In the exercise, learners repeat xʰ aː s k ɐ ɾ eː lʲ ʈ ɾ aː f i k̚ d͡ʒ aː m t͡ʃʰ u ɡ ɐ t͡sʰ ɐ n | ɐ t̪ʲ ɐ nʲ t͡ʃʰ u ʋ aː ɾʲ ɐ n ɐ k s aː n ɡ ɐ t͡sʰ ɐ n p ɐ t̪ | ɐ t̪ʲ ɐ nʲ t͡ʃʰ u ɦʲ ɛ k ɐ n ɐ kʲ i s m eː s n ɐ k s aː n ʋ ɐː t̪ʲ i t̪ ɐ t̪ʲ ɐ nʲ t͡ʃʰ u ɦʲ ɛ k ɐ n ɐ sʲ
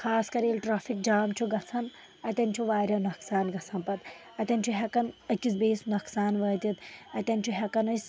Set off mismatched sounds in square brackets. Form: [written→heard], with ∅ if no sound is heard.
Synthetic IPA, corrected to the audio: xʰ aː s k ɐ ɾ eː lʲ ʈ ɾ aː f i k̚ d͡ʒ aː m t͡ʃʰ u ɡ ɐ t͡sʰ ɐ n | ɐ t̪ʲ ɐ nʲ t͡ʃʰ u ʋ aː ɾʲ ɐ n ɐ k s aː n ɡ ɐ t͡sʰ ɐ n p ɐ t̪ | ɐ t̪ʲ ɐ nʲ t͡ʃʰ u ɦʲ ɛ k ɐ n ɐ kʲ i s [m→b] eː s n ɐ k s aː n ʋ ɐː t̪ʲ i t̪ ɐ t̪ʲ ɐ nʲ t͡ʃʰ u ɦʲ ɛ k ɐ n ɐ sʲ